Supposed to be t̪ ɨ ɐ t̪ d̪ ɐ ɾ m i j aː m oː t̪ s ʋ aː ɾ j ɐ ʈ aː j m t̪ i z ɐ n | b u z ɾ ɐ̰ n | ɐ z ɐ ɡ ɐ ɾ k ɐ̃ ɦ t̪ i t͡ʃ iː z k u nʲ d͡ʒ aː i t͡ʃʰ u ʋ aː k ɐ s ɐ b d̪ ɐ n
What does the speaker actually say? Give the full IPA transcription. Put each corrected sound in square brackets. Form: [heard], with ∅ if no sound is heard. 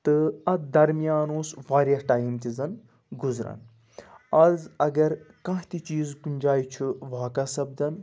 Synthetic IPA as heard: t̪ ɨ ɐ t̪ d̪ ɐ ɾ m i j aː [n] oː [∅] s ʋ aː ɾ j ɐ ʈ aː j m t̪ i z ɐ n | [ɡ] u z ɾ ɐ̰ n | ɐ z ɐ ɡ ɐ ɾ k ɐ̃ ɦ t̪ i t͡ʃ iː z k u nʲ d͡ʒ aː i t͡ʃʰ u ʋ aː k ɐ s ɐ b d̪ ɐ n